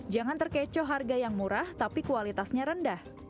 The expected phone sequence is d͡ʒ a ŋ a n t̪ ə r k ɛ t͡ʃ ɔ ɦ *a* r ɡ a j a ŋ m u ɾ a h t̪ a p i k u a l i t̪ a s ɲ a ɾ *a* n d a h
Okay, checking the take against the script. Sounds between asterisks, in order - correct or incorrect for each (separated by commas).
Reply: correct, incorrect